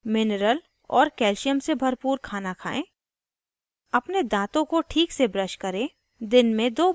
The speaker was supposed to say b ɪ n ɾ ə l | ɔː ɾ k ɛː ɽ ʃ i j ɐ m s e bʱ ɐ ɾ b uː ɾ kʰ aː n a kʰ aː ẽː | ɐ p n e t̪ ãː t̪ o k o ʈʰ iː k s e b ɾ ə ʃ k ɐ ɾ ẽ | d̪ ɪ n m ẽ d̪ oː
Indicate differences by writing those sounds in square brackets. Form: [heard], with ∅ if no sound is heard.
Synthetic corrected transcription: [m] ɪ n ɾ ə l | ɔː ɾ k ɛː [l] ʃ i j [ə] m s e bʱ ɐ ɾ [p] uː ɾ kʰ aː n a kʰ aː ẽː | ɐ p n e [d̪] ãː t̪ [õ] k o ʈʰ iː k s e b ɾ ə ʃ k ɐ ɾ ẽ | d̪ ɪ n m ẽ d̪ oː